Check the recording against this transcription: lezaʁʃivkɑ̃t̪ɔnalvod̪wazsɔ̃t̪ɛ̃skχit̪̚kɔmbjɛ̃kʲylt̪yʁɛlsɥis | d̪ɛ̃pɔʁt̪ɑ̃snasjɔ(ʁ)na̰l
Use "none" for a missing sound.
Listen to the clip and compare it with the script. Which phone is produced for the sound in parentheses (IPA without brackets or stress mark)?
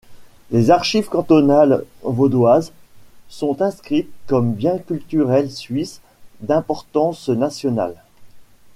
none